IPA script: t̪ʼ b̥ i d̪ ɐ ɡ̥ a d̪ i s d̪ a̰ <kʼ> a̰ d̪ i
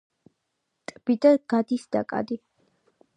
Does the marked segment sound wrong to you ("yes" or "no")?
no